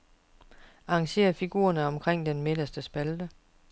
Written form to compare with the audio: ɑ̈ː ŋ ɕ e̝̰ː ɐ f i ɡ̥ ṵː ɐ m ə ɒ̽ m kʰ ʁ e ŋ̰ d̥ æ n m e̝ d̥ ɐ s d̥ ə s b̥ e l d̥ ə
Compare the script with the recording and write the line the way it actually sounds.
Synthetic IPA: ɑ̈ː ŋ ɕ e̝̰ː ɐ f i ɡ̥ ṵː ɐ n ə ɒ̽ m kʰ ʁ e ŋ̰ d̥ e n m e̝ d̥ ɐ s d̥ ə s b̥ æ l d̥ ə